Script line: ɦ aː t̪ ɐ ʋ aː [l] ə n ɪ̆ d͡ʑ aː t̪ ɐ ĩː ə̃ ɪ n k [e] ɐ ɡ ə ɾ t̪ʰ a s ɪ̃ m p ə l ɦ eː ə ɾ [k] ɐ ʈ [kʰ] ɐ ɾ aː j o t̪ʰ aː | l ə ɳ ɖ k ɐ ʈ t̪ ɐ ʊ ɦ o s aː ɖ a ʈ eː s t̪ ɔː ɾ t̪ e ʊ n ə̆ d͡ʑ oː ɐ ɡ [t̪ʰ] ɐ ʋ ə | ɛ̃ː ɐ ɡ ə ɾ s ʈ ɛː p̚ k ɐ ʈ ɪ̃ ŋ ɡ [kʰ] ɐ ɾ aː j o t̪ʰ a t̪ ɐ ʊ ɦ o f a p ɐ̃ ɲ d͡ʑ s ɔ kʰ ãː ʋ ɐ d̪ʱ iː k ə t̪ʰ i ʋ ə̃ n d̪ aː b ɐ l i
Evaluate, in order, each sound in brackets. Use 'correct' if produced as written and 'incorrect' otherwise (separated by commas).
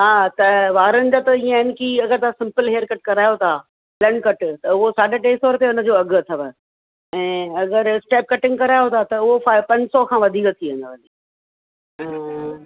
incorrect, incorrect, correct, incorrect, correct, incorrect